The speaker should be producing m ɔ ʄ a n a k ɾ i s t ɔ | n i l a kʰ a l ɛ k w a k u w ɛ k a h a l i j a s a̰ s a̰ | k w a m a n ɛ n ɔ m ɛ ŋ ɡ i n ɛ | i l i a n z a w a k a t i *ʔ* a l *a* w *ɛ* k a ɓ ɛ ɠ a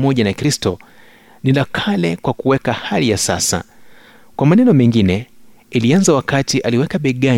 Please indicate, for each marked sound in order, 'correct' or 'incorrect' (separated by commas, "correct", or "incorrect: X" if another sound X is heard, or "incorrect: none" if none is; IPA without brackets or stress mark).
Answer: correct, incorrect: i, correct